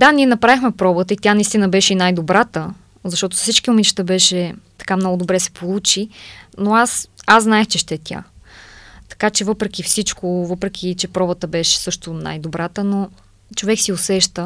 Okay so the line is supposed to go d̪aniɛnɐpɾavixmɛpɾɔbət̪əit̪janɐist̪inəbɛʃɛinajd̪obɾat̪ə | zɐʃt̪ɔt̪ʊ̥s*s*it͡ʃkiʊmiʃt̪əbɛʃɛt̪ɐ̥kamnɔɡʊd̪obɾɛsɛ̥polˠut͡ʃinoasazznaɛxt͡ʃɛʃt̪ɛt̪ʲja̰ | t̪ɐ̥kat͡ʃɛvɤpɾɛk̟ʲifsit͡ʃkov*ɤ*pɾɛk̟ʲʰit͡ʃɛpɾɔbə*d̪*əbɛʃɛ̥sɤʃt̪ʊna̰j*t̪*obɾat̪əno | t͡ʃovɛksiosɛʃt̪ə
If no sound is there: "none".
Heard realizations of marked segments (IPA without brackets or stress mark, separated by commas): s, ɤ, t̪, d̪